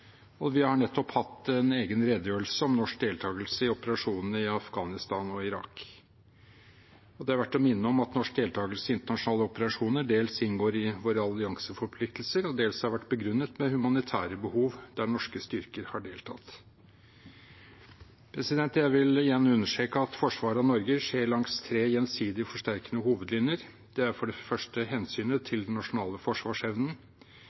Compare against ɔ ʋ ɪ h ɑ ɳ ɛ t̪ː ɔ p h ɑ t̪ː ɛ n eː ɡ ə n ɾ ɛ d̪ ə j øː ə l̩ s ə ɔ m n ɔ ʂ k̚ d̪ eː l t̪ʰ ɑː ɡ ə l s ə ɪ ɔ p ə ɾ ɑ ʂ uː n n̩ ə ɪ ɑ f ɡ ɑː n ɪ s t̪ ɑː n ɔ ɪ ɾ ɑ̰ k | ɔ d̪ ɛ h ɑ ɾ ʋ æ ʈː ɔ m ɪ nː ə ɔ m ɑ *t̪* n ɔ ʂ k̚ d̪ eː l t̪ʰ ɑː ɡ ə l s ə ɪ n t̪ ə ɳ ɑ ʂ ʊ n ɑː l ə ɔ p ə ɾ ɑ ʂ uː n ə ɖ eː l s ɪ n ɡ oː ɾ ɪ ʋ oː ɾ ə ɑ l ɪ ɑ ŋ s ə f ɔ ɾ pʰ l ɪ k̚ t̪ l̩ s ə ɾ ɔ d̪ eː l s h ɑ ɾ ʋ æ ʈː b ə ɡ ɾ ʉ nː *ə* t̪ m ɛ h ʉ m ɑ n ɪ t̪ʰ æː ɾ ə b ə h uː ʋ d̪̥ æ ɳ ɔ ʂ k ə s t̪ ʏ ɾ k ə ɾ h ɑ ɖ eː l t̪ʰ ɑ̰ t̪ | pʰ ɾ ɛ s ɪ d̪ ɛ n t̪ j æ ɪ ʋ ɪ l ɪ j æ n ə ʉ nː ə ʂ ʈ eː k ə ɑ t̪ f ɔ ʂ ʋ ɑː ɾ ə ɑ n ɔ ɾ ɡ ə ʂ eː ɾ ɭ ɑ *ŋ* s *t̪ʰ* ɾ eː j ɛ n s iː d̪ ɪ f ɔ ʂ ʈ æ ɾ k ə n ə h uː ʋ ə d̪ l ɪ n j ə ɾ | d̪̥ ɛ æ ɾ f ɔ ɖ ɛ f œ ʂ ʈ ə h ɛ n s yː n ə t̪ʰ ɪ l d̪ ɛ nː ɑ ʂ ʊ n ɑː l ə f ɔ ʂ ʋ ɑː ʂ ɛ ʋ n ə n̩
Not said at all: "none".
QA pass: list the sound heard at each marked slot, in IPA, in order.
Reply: t̪, ə, ŋ, t̪ʰ

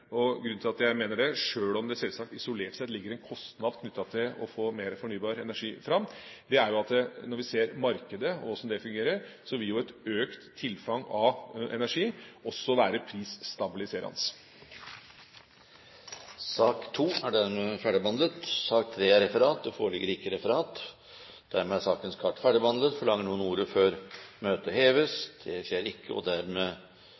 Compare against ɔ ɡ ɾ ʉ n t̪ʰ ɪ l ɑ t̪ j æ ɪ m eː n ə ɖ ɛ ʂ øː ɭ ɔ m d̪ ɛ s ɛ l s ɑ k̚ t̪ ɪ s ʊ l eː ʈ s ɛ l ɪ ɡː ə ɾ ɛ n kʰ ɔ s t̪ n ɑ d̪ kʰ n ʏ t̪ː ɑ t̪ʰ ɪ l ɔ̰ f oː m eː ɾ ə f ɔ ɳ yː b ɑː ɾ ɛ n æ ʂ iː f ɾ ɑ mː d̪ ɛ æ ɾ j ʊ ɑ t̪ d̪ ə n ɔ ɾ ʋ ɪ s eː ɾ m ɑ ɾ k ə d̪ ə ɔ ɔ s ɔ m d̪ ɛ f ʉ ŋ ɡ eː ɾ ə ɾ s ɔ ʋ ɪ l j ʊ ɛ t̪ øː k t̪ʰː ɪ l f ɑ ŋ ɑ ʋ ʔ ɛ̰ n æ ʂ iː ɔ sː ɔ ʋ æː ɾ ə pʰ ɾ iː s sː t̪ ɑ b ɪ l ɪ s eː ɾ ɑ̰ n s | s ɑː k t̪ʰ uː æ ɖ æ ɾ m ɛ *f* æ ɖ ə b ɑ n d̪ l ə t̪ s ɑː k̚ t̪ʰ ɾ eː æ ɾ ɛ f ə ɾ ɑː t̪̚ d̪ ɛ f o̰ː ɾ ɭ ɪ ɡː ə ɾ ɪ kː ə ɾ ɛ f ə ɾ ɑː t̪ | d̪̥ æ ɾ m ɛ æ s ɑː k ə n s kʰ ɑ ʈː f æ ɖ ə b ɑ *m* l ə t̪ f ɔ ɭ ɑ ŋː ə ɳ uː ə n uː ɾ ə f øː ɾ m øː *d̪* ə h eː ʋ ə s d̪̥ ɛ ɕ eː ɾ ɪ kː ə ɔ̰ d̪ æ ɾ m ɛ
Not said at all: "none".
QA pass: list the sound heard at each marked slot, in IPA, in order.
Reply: f, n, t̪

